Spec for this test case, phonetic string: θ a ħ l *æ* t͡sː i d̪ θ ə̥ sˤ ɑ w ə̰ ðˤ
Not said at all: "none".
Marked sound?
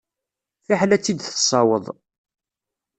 æ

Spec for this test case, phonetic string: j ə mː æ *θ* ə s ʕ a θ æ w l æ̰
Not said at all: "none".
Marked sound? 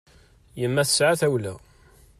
θ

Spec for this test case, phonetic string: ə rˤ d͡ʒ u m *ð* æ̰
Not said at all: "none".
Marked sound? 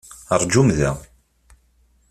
ð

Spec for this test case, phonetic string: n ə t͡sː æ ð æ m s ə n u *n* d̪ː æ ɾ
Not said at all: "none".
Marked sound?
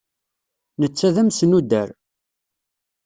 none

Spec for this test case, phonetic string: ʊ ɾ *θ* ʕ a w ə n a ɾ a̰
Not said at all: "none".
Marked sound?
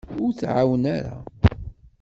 θ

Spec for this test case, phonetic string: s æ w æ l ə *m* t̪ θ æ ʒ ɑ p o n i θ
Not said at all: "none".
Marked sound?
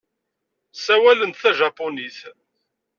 n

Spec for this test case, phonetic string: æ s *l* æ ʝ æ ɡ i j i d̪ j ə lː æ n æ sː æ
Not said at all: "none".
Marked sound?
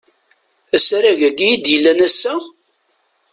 ɾ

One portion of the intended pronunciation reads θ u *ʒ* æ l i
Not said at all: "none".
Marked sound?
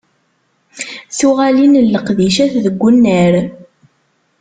ʁ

